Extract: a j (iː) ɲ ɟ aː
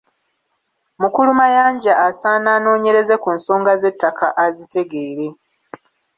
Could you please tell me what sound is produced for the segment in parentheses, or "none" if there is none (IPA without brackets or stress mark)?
aː